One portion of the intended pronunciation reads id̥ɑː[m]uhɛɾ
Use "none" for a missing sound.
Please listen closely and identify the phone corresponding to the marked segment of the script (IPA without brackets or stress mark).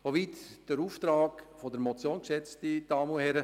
m